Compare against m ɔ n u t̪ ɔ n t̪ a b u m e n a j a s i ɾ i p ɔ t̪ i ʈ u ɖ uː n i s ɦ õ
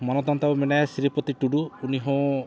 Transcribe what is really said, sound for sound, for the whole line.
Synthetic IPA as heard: m ɔ n ɔ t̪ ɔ n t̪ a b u m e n a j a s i ɾ i p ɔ t̪ i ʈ u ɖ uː n i ɦ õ